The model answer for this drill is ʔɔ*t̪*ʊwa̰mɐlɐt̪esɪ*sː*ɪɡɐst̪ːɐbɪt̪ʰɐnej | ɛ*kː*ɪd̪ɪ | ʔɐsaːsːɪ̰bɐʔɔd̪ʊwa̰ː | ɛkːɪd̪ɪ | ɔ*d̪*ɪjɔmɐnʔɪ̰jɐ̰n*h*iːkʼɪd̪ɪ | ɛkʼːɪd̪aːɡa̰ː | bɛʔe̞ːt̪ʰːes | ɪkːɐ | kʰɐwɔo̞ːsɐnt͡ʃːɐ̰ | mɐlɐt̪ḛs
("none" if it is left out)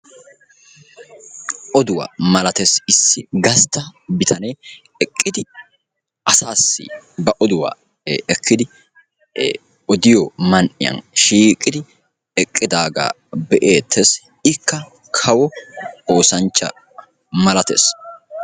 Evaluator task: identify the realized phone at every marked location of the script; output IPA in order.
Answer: d̪, sː, kʼː, d̪, ʃ

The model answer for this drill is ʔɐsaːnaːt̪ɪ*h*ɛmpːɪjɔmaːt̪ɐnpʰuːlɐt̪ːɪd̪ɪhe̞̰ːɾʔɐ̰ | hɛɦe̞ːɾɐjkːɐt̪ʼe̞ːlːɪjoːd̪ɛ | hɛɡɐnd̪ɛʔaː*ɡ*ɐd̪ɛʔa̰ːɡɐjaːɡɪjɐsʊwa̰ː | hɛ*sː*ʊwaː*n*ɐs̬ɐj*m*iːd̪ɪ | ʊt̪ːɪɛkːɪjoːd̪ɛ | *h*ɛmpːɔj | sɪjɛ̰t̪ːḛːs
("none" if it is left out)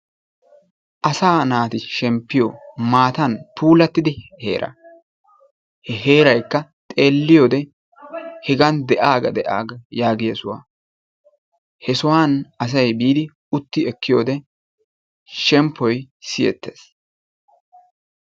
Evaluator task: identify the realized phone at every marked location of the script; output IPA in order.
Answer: ʃ, ɡ, s, n, b, ʃ

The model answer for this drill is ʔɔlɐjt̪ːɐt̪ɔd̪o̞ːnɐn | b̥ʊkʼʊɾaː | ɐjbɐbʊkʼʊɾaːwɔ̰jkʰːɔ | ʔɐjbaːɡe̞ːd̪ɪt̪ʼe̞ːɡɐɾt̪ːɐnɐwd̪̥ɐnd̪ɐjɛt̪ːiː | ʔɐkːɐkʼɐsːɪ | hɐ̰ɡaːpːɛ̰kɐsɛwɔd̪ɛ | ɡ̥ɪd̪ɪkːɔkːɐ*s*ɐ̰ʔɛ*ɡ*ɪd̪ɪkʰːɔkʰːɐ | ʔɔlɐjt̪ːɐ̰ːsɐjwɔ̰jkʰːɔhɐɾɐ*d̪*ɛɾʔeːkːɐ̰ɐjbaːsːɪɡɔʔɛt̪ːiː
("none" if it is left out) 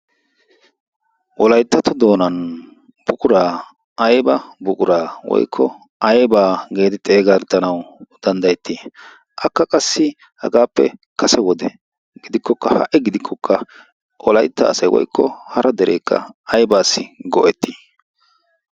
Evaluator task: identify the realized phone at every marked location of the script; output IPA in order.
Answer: h, ɡ, d̪

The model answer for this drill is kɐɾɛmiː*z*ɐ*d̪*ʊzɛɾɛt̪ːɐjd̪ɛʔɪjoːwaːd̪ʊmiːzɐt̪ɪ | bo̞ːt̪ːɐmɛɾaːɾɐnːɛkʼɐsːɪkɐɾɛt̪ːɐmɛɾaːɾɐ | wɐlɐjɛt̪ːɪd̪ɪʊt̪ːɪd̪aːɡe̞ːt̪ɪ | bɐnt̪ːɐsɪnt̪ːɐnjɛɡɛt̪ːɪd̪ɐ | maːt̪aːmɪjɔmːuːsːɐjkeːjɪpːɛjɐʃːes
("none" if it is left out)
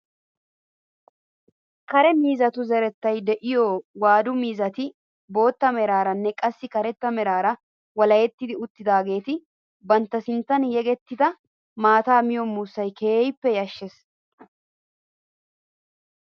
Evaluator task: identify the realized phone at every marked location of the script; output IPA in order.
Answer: z, t̪

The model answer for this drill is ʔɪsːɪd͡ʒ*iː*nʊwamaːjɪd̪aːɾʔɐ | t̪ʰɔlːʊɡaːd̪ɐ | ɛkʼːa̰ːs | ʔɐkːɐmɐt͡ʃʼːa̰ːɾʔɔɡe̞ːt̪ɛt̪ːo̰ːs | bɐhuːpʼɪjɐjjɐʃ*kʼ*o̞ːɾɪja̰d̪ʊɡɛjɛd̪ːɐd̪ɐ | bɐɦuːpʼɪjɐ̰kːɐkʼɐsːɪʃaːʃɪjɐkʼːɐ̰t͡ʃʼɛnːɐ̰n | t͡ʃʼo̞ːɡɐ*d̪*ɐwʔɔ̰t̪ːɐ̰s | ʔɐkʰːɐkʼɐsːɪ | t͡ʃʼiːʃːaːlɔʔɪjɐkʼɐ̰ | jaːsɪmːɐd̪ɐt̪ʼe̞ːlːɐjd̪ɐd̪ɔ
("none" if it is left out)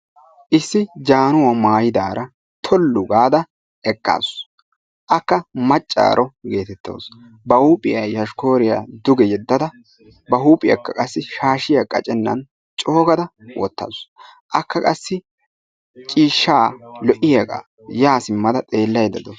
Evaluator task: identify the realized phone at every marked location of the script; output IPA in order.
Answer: aː, k, d̪

